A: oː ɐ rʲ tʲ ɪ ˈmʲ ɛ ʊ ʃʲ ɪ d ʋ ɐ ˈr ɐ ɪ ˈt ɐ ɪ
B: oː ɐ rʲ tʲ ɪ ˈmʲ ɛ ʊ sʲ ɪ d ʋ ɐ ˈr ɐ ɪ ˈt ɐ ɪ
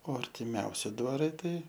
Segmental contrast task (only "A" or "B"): B